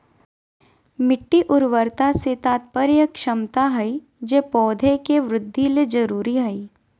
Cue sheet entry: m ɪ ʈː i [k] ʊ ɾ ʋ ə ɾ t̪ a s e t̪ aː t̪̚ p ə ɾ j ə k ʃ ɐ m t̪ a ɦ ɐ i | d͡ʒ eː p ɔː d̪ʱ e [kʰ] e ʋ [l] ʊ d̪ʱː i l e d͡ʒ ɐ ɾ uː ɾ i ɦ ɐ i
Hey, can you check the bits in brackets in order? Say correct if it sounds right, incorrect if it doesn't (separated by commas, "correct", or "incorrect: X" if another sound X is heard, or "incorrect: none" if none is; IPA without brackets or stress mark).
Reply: incorrect: ʔ, incorrect: k, incorrect: ɾ